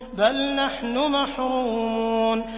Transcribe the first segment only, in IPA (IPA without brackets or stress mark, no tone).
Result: b